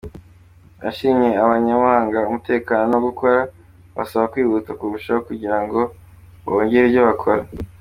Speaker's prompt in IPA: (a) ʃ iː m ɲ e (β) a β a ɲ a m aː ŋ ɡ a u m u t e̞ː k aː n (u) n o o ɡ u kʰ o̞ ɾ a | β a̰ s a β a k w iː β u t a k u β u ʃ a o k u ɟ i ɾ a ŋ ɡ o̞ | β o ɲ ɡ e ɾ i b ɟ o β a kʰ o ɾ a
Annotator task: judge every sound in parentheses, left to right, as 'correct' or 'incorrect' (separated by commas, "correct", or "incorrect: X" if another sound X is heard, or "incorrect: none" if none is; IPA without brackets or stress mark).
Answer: correct, incorrect: none, incorrect: o